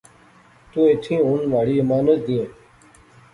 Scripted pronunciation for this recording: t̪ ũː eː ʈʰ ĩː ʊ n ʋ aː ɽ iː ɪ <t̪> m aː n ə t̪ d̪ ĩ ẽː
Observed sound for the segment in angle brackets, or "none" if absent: none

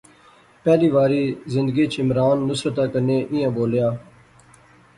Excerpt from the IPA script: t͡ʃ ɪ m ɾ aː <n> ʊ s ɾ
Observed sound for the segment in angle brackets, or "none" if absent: nː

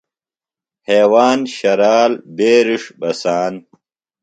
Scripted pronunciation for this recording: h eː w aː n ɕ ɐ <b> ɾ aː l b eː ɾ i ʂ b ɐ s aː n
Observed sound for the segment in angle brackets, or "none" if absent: none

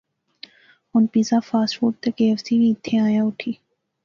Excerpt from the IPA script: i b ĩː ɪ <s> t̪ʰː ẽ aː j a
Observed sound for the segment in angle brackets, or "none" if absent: none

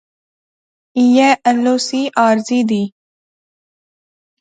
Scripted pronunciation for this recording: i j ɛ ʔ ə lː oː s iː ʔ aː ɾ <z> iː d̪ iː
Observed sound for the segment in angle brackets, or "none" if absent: z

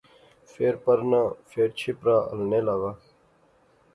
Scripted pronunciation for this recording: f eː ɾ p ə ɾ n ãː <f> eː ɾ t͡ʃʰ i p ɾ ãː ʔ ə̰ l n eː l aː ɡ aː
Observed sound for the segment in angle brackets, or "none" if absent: f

